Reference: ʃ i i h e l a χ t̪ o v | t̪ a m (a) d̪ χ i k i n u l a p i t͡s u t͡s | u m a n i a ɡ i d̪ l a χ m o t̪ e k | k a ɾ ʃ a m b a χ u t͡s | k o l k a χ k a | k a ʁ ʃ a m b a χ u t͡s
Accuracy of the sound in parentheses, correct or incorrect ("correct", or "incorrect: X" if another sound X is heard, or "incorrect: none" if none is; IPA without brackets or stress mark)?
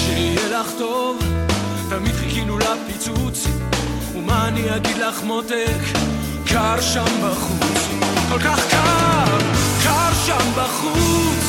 incorrect: i